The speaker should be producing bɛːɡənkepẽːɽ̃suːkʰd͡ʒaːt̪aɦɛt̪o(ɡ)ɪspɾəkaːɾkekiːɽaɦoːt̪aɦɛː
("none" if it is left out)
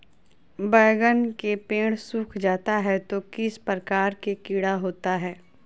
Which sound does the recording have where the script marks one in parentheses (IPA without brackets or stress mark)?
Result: k